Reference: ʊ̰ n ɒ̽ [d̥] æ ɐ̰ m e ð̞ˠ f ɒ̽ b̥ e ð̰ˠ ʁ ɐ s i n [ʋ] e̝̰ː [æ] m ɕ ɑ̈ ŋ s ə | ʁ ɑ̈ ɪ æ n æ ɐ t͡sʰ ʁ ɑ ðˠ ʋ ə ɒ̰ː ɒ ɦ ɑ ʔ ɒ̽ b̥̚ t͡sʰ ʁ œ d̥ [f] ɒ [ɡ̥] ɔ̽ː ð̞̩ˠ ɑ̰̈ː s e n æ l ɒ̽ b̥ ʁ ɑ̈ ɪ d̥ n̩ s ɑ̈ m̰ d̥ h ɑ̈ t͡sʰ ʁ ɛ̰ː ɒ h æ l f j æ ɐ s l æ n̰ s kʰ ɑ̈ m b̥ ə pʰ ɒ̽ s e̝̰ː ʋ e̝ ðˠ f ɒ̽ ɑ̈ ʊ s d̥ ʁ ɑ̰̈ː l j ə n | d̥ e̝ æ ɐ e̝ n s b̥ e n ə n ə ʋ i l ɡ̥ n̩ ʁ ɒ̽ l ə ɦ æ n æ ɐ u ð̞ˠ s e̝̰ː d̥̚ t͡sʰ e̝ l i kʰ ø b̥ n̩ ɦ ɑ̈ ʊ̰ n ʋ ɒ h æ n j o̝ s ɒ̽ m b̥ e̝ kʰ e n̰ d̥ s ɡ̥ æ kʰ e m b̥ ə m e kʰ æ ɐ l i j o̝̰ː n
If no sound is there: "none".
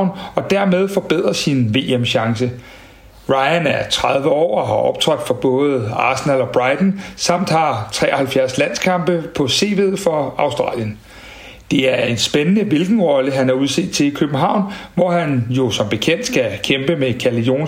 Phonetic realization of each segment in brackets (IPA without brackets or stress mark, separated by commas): d̥, ʋ, e, f, b̥